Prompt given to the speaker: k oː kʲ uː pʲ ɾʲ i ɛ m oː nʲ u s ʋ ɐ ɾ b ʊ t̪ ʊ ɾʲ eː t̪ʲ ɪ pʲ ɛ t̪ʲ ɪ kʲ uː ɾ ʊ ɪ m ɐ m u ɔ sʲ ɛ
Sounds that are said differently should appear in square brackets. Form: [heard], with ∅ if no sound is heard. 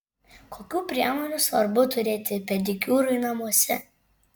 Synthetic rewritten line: k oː kʲ uː pʲ ɾʲ i ɛ m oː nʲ u s ʋ ɐ ɾ b ʊ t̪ ʊ ɾʲ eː t̪ʲ ɪ pʲ ɛ [d̪ʲ] ɪ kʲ uː ɾ ʊ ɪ [n] ɐ m u ɔ sʲ ɛ